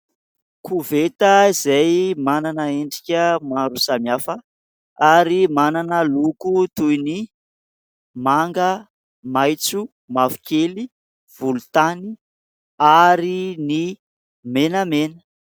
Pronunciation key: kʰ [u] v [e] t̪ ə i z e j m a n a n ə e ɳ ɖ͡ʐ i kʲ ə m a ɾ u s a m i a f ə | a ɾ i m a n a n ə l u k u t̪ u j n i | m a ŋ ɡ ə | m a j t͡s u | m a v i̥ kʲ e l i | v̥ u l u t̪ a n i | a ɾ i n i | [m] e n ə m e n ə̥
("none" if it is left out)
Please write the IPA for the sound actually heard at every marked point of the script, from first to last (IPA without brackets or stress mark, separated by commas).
u, e, m